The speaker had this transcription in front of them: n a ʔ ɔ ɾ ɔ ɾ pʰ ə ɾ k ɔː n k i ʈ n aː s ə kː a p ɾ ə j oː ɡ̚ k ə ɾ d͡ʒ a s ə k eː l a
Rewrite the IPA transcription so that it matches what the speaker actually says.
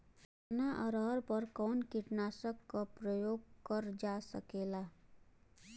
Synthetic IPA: n a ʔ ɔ ɾ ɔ ɾ p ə ɾ k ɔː n k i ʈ n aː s ə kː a p ɾ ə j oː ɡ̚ k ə ɾ d͡ʒ a s ə k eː l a